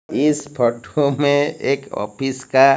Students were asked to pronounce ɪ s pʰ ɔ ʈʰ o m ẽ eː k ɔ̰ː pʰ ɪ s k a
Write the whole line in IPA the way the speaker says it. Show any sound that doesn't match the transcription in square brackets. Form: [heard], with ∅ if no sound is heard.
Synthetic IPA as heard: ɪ s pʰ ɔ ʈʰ o m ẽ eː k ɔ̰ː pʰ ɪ s k a